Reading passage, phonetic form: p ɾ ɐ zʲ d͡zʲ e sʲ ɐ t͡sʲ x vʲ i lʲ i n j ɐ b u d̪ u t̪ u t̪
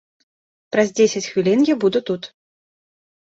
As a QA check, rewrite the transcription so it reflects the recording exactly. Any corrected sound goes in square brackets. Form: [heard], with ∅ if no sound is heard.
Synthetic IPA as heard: p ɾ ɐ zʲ d͡zʲ e sʲ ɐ t͡sʲ x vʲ i lʲ i n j [a] b u d̪ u t̪ u t̪